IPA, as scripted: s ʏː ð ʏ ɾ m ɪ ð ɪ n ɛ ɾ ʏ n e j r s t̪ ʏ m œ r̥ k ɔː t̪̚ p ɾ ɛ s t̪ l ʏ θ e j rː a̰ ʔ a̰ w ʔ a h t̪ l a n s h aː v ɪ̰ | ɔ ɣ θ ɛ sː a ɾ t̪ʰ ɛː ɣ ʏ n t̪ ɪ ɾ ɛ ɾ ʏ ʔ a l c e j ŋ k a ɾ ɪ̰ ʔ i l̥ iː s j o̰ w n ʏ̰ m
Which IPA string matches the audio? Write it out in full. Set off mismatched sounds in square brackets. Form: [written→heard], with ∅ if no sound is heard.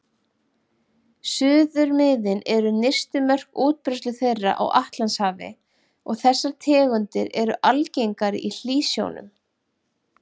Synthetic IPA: s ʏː ð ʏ ɾ m ɪ ð ɪ n ɛ ɾ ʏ n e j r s t̪ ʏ m œ r̥ k [ɔː→uː] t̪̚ p ɾ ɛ s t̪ l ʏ θ e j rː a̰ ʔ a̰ w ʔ a h t̪ l a n s h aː v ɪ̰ | ɔ ɣ θ ɛ sː a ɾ t̪ʰ ɛː ɣ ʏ n t̪ ɪ ɾ ɛ ɾ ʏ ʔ a l c e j ŋ k a ɾ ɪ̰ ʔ i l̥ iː s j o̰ w n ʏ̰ m